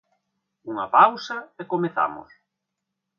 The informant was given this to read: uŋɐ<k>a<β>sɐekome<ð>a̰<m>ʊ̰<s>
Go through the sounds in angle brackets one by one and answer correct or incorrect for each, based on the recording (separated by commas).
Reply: incorrect, incorrect, incorrect, correct, correct